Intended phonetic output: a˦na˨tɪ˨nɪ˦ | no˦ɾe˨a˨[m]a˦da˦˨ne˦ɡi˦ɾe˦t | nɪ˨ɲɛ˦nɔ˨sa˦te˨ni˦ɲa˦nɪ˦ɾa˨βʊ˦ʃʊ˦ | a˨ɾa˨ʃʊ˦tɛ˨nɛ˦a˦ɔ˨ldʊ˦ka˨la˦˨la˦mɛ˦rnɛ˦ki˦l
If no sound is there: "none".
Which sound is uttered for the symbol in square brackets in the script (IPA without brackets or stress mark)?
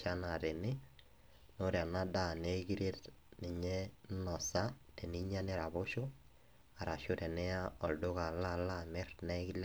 n